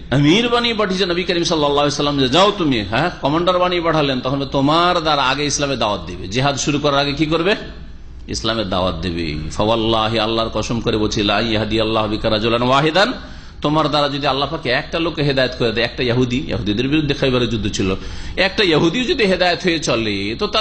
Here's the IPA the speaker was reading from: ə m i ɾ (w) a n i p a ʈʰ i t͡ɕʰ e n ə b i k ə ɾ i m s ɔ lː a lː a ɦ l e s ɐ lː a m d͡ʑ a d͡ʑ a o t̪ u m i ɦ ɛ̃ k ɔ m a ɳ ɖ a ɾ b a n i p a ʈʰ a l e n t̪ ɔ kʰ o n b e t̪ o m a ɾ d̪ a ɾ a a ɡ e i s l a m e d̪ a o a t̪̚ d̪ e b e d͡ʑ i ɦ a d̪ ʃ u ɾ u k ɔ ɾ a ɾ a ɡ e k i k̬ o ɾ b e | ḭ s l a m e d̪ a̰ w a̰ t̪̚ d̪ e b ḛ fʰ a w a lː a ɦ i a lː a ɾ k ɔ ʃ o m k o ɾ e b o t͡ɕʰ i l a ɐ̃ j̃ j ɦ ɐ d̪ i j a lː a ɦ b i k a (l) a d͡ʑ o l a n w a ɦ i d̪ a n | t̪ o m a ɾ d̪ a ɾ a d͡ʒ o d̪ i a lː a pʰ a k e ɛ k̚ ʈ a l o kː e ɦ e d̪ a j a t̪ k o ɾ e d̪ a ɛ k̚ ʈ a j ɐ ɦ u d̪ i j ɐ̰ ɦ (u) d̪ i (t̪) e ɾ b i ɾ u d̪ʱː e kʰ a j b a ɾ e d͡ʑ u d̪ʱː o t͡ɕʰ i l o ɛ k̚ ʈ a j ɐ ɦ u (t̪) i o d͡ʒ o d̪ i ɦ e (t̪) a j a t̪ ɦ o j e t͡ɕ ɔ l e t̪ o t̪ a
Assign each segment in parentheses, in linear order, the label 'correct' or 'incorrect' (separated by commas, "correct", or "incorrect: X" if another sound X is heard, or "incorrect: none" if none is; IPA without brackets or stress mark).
incorrect: b, incorrect: ɾ, correct, incorrect: d̪, incorrect: d̪, incorrect: d̪